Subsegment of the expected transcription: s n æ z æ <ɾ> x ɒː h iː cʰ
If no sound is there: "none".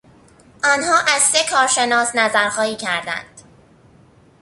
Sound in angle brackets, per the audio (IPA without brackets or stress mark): ɾ